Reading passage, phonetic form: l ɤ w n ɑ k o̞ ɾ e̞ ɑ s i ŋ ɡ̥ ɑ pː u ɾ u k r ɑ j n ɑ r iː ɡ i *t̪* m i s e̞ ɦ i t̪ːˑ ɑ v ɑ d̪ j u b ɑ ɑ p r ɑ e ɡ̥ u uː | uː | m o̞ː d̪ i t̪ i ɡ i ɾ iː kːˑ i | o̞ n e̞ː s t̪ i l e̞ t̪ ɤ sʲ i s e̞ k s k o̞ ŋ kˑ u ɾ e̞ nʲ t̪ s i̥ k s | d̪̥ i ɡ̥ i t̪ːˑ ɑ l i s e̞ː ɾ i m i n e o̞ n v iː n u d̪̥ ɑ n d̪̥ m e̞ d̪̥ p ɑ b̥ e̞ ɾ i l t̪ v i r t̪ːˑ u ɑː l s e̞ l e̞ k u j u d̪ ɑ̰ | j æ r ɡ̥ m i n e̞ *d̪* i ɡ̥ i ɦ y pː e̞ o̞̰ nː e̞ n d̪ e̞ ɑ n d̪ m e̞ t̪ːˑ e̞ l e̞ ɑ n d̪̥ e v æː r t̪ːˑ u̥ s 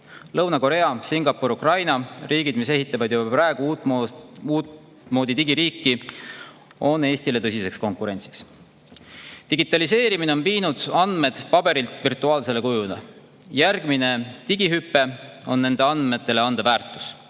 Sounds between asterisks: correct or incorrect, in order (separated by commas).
incorrect, incorrect